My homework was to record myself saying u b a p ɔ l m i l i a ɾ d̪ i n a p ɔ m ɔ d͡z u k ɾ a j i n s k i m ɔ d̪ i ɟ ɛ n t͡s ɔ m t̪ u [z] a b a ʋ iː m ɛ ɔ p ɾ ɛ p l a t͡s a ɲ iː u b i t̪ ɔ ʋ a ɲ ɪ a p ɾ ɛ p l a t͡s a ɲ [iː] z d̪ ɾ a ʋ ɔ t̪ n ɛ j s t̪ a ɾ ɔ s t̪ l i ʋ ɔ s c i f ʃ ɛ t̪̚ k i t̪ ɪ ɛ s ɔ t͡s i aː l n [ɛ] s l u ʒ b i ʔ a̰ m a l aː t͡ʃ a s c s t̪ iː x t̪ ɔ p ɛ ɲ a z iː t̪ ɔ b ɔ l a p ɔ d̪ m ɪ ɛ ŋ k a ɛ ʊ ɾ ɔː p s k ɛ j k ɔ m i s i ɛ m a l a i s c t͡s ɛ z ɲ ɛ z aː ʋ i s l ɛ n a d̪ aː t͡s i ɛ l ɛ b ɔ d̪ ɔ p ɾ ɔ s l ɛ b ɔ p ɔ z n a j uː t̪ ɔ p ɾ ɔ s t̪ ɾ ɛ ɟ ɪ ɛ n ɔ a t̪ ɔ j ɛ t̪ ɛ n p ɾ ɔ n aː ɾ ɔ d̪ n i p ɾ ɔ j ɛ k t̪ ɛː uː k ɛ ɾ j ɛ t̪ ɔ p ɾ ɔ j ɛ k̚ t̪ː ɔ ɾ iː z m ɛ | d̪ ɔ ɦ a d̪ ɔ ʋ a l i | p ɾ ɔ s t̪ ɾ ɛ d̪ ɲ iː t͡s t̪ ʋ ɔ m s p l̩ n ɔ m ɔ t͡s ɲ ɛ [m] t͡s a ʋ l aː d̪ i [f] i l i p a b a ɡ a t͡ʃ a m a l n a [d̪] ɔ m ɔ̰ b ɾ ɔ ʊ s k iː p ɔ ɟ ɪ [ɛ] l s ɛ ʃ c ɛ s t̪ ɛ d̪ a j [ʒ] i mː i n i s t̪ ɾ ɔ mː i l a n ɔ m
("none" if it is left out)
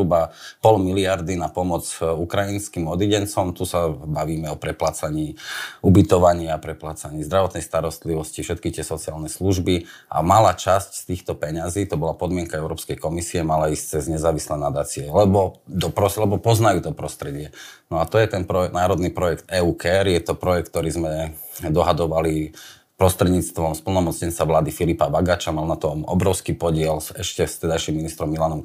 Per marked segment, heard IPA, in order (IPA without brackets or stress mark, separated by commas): s, iː, ɛ, n, f, t̪, ɛ, ʃ